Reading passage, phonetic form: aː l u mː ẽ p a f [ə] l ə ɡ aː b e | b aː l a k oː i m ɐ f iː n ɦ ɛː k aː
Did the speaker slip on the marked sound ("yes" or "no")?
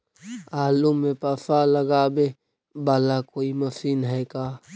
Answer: yes